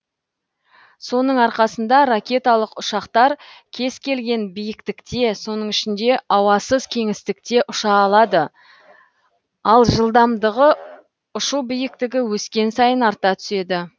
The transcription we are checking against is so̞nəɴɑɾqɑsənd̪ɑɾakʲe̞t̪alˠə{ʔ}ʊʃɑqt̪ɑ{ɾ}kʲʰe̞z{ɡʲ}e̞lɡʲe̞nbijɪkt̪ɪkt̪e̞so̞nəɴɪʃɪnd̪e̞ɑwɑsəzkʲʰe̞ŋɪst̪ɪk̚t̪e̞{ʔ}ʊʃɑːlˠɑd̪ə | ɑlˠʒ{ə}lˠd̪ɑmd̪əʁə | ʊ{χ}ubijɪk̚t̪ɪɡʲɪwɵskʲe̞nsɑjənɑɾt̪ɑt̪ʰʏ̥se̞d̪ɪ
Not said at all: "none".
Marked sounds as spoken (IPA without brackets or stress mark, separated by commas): q, ɾ, kʲ, ʔ, ə, ʃ